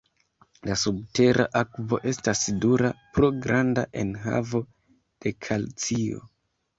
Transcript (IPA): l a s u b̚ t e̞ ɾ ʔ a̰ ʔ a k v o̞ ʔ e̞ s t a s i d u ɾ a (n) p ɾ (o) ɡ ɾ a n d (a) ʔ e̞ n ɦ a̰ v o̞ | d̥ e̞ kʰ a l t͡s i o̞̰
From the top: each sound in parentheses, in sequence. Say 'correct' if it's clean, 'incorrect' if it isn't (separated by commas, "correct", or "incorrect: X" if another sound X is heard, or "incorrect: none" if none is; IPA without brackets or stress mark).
incorrect: none, correct, correct